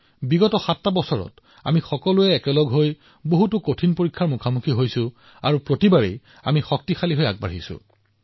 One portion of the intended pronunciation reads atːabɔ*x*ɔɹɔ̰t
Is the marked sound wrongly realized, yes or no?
yes